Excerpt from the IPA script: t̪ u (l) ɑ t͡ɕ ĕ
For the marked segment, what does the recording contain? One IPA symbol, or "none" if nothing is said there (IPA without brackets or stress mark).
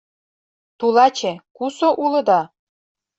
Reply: l